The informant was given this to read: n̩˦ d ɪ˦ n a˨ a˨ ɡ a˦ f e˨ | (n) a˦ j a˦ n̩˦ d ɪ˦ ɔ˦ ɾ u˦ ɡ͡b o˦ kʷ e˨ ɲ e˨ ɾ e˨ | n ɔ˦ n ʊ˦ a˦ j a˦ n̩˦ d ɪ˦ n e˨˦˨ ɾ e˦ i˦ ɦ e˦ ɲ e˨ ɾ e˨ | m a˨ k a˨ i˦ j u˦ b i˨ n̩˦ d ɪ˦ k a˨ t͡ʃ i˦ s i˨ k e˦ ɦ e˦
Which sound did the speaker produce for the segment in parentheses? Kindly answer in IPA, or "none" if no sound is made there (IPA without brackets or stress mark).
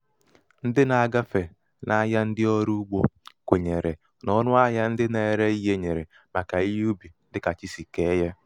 n